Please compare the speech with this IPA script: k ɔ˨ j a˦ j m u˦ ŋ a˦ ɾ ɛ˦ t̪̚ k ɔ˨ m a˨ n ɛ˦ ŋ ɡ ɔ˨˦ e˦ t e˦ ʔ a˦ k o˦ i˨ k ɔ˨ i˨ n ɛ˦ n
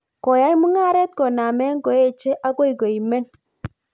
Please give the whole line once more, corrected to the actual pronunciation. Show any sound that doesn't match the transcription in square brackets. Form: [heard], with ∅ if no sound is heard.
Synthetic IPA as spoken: k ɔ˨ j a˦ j m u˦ ŋ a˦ ɾ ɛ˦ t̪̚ k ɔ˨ [n] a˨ [m] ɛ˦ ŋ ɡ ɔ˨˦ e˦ [t͡ʃ] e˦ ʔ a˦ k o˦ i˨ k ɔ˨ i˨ [m] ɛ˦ n